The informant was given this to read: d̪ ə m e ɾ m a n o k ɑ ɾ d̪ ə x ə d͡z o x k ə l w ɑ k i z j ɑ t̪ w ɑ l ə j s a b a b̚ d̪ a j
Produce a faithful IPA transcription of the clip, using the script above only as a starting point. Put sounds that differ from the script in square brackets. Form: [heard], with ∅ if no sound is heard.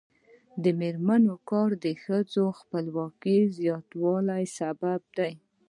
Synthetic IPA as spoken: d̪ ə m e ɾ m a n o k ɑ ɾ d̪ ə x ə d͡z o x [p] ə l w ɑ k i z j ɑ t̪ w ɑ l [a] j s a b a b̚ d̪ a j

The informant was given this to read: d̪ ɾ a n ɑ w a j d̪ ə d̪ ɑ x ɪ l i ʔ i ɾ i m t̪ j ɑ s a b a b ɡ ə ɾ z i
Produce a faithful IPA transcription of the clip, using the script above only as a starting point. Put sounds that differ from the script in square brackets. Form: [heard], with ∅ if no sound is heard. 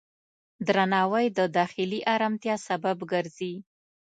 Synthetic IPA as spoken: d̪ ɾ a n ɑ w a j d̪ ə d̪ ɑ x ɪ l i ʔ [a] ɾ [a] m t̪ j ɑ s a b a b ɡ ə ɾ z i

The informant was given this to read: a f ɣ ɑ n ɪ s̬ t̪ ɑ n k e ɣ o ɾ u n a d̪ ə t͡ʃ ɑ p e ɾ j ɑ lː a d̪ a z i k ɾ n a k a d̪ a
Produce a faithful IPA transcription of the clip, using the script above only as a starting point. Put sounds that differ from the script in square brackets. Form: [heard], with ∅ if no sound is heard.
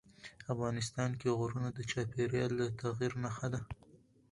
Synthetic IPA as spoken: a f ɣ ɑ n ɪ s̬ t̪ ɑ n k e ɣ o ɾ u n a d̪ ə t͡ʃ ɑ p e ɾ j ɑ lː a [t̪] a [ɣ] i [∅] ɾ n a [x] a d̪ a

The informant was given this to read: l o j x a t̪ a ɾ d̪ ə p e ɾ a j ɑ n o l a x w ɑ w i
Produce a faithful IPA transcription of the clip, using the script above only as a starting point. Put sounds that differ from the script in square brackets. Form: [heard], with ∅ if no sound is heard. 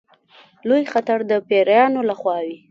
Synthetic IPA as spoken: l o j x a t̪ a ɾ d̪ ə p e ɾ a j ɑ n o l a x w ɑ w i

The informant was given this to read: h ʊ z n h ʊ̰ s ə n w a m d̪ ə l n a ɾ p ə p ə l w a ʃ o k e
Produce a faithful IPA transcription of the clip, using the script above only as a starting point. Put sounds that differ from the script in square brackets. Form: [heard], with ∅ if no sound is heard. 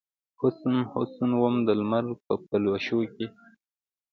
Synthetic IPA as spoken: h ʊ [s] n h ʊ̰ s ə n w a m d̪ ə l [m] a ɾ p ə p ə l w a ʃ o k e

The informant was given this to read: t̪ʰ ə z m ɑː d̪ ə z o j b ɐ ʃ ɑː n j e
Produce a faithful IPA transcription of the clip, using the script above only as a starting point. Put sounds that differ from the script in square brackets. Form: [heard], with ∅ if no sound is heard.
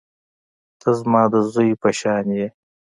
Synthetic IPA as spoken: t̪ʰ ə z m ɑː d̪ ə z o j [p] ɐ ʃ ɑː n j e

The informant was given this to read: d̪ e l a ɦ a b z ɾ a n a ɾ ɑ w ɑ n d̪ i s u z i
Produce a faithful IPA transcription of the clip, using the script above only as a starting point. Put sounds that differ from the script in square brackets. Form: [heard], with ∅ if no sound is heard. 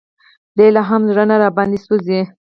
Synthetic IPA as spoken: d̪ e l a ɦ a [m] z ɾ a n a ɾ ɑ [b] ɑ n d̪ i s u z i

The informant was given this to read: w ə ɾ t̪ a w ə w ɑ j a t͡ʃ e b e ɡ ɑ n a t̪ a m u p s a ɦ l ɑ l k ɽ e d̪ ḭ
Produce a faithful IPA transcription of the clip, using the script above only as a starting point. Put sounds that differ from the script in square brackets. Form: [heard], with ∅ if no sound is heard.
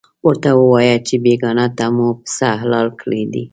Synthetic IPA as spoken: w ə ɾ t̪ a w ə w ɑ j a t͡ʃ e b e ɡ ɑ n a t̪ a m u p s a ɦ l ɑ l k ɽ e d̪ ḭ

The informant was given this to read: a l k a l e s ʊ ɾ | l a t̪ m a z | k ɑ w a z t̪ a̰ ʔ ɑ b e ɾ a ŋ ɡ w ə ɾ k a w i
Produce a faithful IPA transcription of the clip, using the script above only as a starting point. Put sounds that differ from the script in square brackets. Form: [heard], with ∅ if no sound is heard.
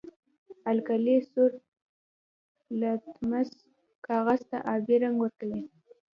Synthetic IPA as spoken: a l k a l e s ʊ ɾ | l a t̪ m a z | k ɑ [ɣ] a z t̪ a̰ ʔ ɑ b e ɾ a ŋ ɡ w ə ɾ k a w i

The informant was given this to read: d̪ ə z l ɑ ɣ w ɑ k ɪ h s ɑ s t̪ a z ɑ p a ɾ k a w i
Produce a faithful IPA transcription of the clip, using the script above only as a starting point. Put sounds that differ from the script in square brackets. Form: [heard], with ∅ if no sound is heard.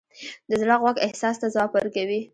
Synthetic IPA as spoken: d̪ ə z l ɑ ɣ w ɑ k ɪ h s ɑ s t̪ a z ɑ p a ɾ k a w i

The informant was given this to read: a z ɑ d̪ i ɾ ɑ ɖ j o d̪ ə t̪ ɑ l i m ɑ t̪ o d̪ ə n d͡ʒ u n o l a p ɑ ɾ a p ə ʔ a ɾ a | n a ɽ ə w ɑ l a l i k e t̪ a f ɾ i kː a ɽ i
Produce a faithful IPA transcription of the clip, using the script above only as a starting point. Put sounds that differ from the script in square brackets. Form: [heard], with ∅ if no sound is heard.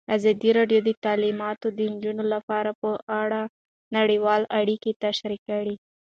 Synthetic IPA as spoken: a z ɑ d̪ i ɾ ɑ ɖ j o d̪ ə t̪ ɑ l i m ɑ t̪ o d̪ ə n d͡ʒ u n o l a p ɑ ɾ a p ə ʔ a [ɽ] a | n a ɽ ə w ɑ l a [ɽ] i k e t̪ a [ʃ] ɾ i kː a ɽ i

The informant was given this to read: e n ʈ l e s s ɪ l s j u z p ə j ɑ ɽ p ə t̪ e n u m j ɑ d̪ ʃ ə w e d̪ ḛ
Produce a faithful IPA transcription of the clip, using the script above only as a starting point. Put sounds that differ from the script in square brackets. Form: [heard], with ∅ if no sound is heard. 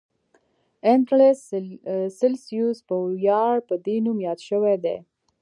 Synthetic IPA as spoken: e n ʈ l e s s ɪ l s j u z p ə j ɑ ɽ p ə [d̪] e n u m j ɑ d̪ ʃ ə w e d̪ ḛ

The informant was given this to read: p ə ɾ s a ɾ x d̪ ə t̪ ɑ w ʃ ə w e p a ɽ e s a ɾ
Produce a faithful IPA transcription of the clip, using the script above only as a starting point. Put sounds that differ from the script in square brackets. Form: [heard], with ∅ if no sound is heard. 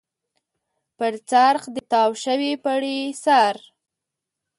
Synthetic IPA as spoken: p ə ɾ [t͡s] a ɾ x d̪ ə t̪ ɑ w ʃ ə w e p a ɽ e s a ɾ

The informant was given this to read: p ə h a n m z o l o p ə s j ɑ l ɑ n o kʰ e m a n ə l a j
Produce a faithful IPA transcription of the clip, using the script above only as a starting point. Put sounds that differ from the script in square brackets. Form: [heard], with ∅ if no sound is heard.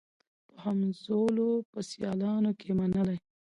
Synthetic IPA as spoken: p ə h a [∅] m z o l o p ə s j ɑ l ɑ n o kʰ e m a n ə l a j

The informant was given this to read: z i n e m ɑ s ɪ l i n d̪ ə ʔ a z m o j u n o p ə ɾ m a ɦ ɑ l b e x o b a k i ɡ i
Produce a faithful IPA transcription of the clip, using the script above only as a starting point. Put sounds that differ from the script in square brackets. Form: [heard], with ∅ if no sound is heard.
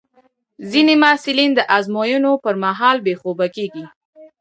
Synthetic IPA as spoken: z i n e m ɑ s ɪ l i n d̪ ə ʔ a z m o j u n o p ə ɾ m a ɦ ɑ l b e x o b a k [e] ɡ i

